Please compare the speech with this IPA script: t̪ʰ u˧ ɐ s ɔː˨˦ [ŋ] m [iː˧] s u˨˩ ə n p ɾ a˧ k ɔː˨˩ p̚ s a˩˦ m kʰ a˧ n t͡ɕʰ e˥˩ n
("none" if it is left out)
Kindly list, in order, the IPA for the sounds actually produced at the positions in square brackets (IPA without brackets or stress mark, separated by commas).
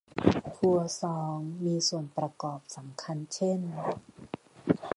ŋ, iː˧